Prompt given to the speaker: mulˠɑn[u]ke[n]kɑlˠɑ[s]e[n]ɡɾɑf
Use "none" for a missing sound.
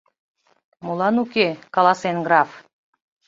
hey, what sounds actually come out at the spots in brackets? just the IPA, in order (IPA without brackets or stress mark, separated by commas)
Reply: u, none, s, n